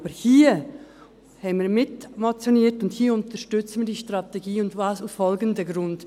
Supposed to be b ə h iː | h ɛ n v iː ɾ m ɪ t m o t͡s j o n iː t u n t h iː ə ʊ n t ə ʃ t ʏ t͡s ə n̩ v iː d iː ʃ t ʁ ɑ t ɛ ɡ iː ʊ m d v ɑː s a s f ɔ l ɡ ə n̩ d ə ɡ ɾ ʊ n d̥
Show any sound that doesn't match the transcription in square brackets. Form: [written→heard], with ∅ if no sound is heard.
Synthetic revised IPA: b ə h iː | h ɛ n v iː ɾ m ɪ t m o t͡s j o n iː t [u→ʊ] n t h iː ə ʊ n t ə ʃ t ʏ t͡s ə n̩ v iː d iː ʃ t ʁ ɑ t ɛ ɡ iː ʊ [m→n] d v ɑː s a s f ɔ l ɡ ə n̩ d ə ɡ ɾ ʊ n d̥